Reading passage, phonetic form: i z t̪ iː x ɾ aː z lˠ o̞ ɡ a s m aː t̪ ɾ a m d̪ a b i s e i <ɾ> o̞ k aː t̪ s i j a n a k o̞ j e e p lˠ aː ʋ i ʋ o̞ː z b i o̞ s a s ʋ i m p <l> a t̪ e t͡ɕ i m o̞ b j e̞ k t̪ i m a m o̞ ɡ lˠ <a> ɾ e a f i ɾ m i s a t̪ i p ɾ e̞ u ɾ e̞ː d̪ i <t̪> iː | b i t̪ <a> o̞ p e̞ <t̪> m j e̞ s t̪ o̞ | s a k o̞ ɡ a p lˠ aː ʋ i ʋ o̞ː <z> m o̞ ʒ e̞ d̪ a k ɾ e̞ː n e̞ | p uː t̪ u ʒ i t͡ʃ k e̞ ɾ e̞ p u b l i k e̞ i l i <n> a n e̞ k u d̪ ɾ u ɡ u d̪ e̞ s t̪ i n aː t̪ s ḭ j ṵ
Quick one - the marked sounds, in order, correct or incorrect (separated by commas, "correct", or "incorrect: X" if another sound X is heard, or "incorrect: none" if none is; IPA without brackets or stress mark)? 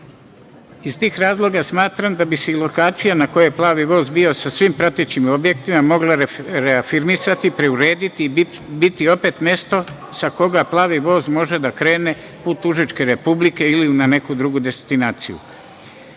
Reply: incorrect: l, incorrect: ɾ, correct, correct, incorrect: i, correct, correct, correct